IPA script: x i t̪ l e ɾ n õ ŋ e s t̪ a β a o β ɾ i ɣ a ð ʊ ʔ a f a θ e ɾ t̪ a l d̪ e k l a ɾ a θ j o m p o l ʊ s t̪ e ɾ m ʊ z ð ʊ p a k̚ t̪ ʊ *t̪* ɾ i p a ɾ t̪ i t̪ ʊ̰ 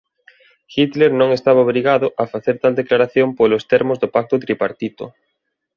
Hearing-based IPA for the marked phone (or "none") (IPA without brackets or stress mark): t̪